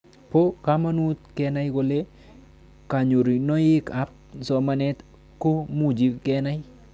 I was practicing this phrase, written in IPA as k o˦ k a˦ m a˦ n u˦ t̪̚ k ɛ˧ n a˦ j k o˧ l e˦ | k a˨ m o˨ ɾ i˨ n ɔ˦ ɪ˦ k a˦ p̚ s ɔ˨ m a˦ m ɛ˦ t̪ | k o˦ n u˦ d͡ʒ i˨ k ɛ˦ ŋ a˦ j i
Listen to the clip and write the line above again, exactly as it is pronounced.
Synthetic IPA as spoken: p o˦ k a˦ m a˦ n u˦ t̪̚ k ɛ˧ n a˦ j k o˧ l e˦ | k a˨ ɲ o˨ ɾ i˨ n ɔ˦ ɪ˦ k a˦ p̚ s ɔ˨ m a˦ n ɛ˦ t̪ | k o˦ m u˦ d͡ʒ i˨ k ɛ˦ n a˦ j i